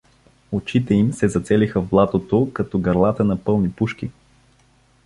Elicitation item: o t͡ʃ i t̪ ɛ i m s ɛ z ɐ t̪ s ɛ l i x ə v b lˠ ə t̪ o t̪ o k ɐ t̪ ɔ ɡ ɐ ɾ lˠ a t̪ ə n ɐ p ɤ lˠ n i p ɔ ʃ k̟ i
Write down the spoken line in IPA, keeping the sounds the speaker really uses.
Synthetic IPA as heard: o t͡ʃ i t̪ ɛ i m s ɛ z ɐ t̪ s ɛ l i x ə v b lˠ a t̪ o t̪ o k ɐ t̪ ɔ ɡ ɐ ɾ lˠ a t̪ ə n ɐ p ɤ lˠ n i p u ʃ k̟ i